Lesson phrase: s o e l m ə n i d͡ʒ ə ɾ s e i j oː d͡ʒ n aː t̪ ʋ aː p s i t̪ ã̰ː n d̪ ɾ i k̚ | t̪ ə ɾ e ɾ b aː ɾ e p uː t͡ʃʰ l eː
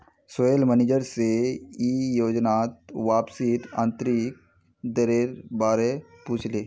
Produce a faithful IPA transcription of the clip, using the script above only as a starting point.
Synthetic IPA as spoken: s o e l m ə n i d͡ʒ ə ɾ s e i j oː d͡ʒ n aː t̪ ʋ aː p s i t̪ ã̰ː n t̪ ɾ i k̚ | d̪ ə ɾ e ɾ b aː ɾ e p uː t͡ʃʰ l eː